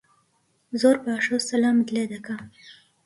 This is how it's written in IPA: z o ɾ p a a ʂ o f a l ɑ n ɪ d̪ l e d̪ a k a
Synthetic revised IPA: z o ɾ p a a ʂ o s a l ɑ m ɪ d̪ l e d̪ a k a

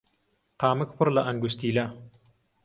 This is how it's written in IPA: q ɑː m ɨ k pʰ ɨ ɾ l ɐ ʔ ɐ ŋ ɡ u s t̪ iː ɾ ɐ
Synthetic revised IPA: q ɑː m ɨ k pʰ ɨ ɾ l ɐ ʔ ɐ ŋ ɡ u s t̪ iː l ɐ

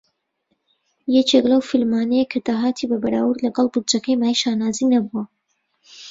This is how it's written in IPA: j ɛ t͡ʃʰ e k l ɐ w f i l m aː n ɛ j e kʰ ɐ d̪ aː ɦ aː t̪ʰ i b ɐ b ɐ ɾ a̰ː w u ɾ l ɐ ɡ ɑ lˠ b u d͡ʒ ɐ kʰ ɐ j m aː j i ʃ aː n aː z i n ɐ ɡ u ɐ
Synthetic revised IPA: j ɛ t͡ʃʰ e k l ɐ w f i l m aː n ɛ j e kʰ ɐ d̪ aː ɦ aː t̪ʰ i b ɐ b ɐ ɾ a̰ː w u ɾ l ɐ ɡ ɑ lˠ b u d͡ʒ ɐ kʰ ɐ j m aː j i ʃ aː n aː z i n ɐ b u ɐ

